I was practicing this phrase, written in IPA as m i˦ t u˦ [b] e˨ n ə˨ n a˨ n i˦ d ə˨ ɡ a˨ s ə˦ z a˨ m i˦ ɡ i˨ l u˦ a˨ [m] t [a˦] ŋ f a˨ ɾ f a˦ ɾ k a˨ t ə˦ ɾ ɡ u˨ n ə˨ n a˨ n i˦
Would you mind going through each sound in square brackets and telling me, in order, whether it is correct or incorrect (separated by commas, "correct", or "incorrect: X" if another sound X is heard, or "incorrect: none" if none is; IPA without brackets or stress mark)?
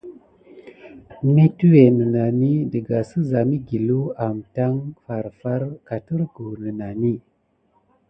incorrect: w, correct, correct